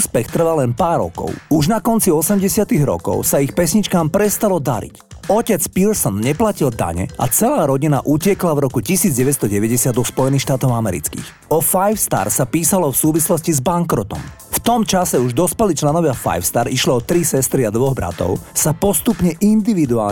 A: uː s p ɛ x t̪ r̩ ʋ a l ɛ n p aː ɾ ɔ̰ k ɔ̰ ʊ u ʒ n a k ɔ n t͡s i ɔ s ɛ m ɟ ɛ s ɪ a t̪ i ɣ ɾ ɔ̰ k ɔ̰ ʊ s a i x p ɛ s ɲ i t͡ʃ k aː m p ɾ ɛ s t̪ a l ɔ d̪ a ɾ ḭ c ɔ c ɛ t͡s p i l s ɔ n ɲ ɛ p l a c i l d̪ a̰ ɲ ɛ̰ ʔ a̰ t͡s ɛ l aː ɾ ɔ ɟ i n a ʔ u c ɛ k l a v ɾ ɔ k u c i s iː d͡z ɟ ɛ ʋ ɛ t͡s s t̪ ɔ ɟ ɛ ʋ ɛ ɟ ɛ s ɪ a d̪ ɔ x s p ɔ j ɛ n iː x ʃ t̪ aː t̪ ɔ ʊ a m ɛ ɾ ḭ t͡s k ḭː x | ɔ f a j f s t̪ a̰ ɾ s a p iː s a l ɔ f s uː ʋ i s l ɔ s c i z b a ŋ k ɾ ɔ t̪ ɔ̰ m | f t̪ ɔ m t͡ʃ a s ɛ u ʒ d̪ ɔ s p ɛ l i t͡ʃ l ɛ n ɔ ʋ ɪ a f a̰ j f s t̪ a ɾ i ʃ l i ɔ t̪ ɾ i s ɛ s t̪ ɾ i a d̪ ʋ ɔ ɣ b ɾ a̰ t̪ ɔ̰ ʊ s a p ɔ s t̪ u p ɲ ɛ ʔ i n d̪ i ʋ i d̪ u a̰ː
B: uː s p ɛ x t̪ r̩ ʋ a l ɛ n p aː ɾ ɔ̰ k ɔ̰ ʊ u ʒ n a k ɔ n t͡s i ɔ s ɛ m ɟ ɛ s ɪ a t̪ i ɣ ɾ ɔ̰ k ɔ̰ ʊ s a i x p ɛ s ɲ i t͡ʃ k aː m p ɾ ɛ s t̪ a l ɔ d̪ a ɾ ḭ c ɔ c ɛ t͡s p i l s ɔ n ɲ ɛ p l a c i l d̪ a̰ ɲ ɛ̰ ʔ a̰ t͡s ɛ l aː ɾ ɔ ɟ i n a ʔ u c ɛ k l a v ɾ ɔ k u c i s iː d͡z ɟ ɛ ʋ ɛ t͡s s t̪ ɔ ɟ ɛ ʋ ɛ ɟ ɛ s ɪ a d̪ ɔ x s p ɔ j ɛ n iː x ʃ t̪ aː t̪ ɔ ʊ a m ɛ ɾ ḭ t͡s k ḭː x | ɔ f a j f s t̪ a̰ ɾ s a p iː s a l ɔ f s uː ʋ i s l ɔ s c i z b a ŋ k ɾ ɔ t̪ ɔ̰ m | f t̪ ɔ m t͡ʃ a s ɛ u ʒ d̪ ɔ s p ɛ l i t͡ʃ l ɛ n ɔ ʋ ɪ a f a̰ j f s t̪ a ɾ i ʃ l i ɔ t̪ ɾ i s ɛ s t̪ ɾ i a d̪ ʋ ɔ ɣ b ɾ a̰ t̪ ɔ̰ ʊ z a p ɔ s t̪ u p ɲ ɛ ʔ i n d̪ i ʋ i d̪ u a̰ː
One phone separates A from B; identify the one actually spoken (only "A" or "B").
A